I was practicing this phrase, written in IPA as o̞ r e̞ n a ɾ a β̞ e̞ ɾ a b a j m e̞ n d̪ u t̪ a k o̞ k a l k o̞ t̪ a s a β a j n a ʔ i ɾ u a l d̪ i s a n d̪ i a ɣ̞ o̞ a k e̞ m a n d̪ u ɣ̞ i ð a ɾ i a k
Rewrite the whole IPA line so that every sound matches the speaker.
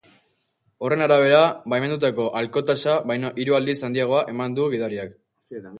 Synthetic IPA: o̞ r e̞ n a ɾ a β̞ e̞ ɾ a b a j m e̞ n d̪ u t̪ a k o̞ ʔ a l k o̞ t̪ a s a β a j n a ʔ i ɾ u a l d̪ i s a n d̪ i a ɣ̞ o̞ a ʔ e̞ m a n d̪ u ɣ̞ i ð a ɾ i a k